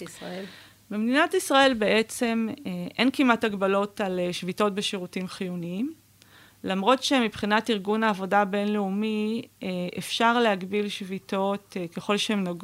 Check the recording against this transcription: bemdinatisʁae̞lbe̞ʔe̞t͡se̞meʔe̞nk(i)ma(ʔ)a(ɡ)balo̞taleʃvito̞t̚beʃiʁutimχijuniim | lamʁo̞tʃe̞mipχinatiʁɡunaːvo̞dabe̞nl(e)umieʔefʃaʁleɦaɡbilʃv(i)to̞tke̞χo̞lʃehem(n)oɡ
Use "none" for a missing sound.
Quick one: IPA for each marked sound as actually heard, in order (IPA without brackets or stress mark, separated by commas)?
i, t, ɡ, e, i, n